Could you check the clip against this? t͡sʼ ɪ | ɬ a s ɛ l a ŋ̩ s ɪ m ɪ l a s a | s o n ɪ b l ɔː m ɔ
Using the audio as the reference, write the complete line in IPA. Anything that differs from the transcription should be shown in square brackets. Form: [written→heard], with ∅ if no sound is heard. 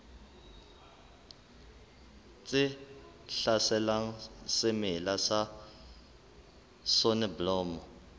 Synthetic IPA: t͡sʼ ɪ | ɬ a s ɛ l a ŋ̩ s ɪ m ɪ l a s a | s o n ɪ b l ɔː m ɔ